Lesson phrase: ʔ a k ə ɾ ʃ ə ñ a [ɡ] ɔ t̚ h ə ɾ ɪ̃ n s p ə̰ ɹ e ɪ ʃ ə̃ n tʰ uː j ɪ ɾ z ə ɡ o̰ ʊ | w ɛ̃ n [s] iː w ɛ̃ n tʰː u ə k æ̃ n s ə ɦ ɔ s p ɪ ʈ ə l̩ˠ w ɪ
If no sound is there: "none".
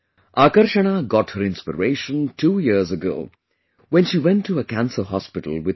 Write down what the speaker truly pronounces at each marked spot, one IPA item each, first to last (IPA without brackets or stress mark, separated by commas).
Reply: ɡ, ʃ